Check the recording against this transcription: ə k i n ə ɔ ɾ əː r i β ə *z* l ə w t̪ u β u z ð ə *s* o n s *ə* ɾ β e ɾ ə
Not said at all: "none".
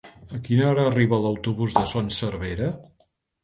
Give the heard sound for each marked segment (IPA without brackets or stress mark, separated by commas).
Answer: none, s, ə